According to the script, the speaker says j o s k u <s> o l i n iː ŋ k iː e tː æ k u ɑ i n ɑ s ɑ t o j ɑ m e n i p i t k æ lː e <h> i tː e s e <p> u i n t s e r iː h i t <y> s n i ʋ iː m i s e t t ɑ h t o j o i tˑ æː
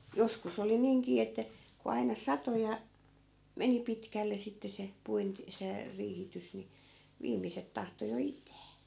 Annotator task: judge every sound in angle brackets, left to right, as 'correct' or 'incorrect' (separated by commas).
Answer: correct, incorrect, correct, correct